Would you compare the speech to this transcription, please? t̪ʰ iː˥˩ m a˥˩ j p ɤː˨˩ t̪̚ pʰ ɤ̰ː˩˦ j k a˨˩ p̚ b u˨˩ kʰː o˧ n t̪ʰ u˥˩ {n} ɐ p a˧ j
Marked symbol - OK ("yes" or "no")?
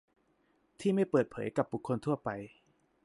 no